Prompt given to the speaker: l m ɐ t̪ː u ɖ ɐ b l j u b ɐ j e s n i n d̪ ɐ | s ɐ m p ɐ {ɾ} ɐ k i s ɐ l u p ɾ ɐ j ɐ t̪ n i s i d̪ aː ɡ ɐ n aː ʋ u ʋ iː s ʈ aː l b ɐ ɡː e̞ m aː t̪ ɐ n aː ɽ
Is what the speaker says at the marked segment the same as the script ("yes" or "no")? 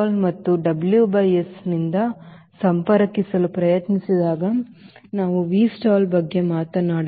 yes